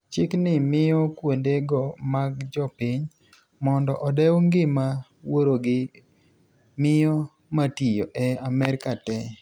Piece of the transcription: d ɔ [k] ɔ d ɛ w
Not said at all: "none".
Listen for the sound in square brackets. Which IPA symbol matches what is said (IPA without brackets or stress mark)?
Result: ʔ